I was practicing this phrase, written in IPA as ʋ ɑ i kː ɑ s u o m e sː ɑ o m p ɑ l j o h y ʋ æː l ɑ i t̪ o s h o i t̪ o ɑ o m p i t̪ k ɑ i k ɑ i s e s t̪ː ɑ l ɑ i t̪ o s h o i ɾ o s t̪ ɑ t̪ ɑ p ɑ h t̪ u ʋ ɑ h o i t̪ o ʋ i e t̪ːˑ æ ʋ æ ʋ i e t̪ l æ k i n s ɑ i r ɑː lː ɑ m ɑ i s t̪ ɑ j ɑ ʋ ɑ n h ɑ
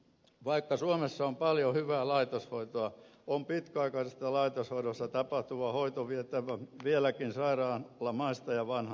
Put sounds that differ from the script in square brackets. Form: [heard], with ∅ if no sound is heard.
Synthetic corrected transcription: ʋ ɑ i kː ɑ s u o m e sː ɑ o m p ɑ l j o h y ʋ æː l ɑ i t̪ o s h o i t̪ o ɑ o m p i t̪ k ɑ i k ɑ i s e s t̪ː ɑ l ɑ i t̪ o s h o i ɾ o s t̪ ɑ t̪ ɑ p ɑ h t̪ u ʋ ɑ h o i t̪ o ʋ i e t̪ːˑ æ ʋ æ ʋ i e [∅] l æ k i n s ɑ i r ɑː lː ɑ m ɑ i s t̪ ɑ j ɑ ʋ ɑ n h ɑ